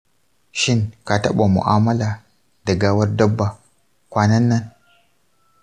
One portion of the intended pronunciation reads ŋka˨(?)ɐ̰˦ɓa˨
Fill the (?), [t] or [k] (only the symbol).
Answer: t